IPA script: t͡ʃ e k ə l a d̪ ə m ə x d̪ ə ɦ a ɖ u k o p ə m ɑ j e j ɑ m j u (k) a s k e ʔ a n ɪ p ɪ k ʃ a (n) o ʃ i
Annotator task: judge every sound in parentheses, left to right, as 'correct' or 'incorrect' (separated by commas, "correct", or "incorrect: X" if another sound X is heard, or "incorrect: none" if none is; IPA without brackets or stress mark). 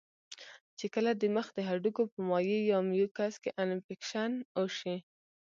correct, correct